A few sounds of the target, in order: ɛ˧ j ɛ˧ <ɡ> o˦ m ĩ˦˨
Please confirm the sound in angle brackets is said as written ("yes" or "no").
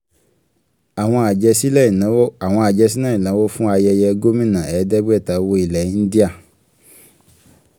yes